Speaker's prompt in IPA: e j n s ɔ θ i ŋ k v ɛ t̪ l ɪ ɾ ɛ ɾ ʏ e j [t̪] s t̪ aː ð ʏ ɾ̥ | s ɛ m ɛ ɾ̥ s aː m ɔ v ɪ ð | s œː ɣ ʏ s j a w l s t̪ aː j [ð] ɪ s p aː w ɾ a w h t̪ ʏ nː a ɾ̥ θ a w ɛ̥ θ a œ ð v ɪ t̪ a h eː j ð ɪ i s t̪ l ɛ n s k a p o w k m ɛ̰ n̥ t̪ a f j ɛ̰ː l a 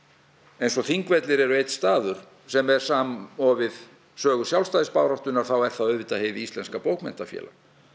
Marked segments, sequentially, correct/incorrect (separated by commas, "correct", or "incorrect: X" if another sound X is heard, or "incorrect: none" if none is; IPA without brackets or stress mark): correct, correct